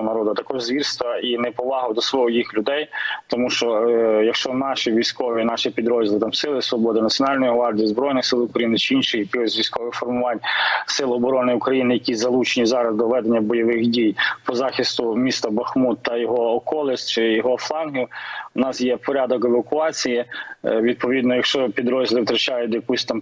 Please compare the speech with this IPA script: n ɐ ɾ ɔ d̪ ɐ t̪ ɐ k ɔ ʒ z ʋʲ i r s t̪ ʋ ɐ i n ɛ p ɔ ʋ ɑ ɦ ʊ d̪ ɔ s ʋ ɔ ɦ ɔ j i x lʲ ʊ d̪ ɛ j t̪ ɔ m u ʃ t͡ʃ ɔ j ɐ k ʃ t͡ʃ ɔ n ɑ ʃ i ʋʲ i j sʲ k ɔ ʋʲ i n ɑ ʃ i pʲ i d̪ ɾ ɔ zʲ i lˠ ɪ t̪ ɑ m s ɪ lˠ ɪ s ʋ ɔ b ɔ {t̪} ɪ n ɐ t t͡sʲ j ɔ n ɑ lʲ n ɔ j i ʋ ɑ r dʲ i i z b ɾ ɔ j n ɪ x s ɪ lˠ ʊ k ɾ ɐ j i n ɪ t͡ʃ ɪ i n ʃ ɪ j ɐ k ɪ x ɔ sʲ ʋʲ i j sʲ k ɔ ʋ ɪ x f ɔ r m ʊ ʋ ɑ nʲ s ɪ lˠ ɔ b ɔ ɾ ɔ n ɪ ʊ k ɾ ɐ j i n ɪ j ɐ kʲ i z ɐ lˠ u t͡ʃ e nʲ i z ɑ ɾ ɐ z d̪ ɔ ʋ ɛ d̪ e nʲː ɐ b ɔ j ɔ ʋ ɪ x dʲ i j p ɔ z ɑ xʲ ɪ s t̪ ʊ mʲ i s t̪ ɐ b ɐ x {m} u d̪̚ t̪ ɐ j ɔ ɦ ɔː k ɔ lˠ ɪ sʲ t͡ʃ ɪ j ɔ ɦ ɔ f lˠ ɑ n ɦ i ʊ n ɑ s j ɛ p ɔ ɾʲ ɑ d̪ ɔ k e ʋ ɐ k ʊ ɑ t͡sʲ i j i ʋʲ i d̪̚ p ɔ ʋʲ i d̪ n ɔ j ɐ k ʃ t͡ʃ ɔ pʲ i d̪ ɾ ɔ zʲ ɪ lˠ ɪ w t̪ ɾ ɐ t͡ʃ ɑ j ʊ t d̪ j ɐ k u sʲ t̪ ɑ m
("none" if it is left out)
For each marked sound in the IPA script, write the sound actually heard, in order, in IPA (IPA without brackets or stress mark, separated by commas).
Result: d̪, m